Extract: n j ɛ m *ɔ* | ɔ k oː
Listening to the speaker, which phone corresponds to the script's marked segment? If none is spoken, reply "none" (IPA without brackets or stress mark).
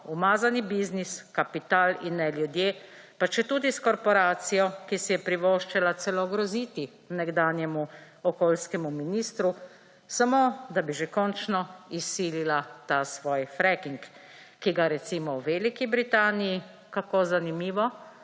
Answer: u